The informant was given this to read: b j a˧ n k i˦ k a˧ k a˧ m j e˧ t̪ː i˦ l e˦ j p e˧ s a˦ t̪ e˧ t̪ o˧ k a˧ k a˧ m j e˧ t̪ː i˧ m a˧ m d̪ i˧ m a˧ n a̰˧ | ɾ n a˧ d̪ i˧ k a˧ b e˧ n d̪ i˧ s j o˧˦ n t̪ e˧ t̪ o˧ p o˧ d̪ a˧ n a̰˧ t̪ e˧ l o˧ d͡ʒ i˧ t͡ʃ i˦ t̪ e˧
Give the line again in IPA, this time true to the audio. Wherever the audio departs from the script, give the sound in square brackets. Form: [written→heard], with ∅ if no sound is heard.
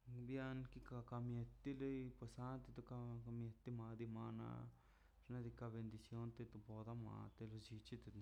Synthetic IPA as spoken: b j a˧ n k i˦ k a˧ k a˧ m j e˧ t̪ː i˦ l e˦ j p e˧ s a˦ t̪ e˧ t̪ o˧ k a˧ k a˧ m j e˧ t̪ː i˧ m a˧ [m→∅] d̪ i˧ m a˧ n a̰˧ | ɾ n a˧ d̪ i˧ k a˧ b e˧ n d̪ i˧ s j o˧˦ n t̪ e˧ t̪ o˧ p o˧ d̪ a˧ [n→m] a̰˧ t̪ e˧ l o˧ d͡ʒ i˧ t͡ʃ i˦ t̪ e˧